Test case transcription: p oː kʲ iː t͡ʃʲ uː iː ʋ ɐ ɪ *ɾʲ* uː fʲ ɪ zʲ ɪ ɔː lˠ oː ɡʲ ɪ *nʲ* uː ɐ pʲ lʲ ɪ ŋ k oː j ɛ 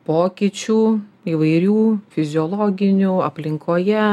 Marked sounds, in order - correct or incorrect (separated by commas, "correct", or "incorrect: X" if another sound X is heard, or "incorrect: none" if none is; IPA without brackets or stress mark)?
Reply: correct, correct